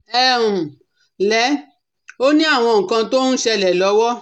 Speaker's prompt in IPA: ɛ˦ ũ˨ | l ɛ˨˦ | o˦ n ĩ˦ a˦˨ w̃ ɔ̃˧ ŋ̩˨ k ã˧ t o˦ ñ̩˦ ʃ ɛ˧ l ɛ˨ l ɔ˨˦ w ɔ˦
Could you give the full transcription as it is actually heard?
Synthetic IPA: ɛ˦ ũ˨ | l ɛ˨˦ | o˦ n ĩ˦ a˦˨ w̃ ɔ̃˧ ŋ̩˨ k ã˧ t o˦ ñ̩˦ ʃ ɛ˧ l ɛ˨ l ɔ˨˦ w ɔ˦